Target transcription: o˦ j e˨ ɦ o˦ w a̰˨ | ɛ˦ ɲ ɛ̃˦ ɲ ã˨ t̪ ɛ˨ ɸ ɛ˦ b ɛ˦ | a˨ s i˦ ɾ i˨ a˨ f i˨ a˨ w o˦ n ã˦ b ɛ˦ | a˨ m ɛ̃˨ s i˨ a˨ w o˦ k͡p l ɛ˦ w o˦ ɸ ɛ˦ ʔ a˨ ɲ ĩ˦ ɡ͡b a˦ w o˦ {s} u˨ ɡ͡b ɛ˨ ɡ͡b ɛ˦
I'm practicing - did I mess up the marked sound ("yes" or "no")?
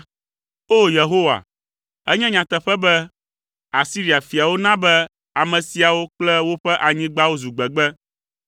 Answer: yes